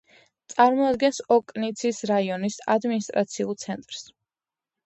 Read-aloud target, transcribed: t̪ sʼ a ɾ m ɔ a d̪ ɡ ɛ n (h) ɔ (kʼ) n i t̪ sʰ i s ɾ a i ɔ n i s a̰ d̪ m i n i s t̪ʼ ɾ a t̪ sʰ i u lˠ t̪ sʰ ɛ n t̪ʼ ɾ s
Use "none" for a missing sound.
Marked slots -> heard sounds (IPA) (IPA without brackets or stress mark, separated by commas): s, kʼ